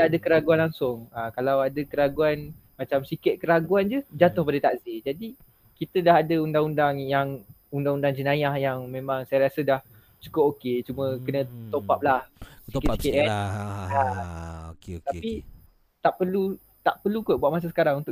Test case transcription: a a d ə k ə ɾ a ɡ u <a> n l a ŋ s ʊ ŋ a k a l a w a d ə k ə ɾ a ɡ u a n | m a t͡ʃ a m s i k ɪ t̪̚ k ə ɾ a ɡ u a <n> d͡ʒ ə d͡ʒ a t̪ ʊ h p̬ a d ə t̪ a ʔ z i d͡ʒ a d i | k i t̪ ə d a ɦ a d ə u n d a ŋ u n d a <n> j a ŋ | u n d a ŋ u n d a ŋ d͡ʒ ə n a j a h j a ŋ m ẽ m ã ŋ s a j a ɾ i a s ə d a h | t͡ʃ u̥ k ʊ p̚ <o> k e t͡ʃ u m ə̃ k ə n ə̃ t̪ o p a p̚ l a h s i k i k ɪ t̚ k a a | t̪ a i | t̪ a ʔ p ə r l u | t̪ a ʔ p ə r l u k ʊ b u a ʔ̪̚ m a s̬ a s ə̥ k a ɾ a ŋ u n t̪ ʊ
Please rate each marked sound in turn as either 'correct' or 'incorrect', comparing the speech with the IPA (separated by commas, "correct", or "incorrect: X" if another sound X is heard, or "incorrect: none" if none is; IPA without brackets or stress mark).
correct, correct, incorrect: ŋ, correct